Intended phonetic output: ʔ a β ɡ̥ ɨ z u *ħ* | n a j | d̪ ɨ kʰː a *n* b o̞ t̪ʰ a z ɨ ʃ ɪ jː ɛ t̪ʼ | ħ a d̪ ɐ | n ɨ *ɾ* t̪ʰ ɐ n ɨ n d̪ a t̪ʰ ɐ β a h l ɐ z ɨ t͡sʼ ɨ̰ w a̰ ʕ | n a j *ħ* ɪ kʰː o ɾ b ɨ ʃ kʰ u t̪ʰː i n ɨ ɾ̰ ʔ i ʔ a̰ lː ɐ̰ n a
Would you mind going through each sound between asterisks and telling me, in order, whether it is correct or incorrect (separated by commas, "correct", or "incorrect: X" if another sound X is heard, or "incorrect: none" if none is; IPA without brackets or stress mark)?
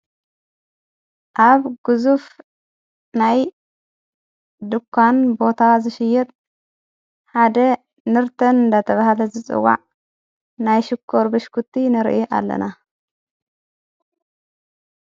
incorrect: f, correct, correct, incorrect: ʃ